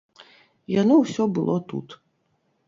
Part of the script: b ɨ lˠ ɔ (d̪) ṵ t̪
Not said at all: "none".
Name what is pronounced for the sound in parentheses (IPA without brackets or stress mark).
t̪